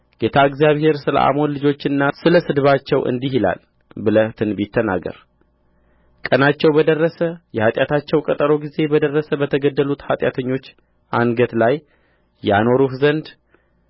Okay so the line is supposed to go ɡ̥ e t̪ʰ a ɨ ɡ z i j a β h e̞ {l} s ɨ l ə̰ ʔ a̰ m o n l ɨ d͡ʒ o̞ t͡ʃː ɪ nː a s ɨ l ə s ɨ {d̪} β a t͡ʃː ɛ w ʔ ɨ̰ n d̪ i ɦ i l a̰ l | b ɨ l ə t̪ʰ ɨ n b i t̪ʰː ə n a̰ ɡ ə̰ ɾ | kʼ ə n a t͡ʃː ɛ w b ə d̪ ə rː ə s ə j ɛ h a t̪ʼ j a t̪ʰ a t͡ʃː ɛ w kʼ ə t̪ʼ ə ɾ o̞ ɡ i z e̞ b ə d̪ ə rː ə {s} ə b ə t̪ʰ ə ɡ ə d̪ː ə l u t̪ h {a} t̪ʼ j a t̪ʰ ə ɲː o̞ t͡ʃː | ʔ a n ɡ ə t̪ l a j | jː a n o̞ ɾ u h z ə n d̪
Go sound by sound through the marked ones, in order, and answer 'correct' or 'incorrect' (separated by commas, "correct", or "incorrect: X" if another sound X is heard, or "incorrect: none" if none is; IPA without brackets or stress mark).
incorrect: ɾ, correct, correct, correct